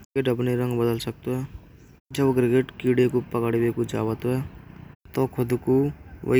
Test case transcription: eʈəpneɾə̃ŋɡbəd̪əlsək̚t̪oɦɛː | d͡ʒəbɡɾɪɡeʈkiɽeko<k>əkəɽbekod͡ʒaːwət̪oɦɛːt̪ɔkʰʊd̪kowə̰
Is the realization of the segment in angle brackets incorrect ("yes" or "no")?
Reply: yes